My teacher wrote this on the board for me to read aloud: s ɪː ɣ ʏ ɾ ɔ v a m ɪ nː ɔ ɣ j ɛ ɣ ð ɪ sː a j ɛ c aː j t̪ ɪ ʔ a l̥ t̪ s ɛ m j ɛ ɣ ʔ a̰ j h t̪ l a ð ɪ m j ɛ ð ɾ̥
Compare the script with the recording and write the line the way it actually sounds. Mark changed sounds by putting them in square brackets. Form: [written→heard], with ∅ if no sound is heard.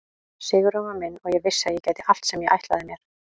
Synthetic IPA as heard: s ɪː ɣ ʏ ɾ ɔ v a m ɪ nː ɔ ɣ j ɛ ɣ [ð→v] ɪ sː a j ɛ c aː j t̪ ɪ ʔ a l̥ t̪ s ɛ m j ɛ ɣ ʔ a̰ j h t̪ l a ð ɪ m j ɛ [ð→∅] ɾ̥

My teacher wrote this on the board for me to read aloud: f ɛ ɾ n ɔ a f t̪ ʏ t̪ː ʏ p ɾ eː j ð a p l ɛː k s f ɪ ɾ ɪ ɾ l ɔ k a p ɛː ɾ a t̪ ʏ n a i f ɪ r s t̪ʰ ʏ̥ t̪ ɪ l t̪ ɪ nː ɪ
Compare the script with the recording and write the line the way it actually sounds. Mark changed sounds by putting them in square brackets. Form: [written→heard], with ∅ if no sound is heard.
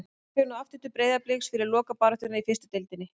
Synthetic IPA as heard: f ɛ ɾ n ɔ a f t̪ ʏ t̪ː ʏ p ɾ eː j ð a p l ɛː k s f ɪ ɾ ɪ ɾ l [ɔ→ɔː] k a p [ɛː→aː] ɾ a t̪ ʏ n a i f ɪ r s [t̪ʰ→t̪] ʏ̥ t̪ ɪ l t̪ ɪ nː ɪ

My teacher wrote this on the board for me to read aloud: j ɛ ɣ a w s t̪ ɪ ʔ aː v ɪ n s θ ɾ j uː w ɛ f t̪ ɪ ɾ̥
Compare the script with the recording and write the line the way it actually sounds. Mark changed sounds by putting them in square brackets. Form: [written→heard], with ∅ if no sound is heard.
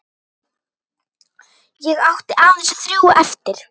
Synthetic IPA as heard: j ɛ ɣ a w [s→h] t̪ ɪ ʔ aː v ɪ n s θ ɾ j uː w ɛ f t̪ ɪ ɾ̥

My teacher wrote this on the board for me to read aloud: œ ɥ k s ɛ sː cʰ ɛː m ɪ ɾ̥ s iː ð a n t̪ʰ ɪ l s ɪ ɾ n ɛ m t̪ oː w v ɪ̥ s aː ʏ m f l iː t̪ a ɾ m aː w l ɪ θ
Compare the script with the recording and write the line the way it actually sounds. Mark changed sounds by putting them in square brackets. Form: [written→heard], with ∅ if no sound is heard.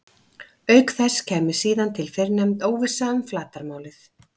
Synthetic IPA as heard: œ ɥ k [s→θ] ɛ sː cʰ ɛː m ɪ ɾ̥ s iː ð a n t̪ʰ ɪ l [s→f] ɪ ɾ n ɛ m t̪ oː w v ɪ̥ s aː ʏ m f l [iː→aː] t̪ a ɾ m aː w l ɪ θ

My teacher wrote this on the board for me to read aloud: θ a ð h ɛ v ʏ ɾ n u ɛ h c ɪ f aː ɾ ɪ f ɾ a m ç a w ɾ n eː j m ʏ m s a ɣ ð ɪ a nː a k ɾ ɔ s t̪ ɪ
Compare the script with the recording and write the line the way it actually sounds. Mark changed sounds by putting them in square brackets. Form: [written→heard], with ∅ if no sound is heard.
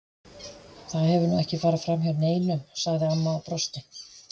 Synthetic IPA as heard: θ a ð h ɛ v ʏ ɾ n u ɛ h c ɪ f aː ɾ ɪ f ɾ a m ç a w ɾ n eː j [m→n] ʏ m s a ɣ ð ɪ a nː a [k→p] ɾ ɔ s t̪ ɪ

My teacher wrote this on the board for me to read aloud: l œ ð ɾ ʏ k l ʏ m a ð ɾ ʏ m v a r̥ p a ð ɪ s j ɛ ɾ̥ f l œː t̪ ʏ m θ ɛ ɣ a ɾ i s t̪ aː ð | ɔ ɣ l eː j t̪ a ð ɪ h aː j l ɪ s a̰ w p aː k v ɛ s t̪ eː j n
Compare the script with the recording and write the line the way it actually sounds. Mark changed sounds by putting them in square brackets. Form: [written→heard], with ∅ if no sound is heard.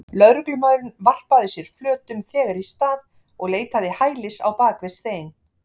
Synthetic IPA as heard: l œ ð ɾ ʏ k l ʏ m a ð ɾ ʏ [m→n] v a r̥ p a ð ɪ s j ɛ ɾ̥ f l œː t̪ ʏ m θ [ɛ→ɛː] ɣ a ɾ i s t̪ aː ð | ɔ ɣ l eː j t̪ a ð ɪ h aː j l ɪ s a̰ w p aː k v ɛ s t̪ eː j n

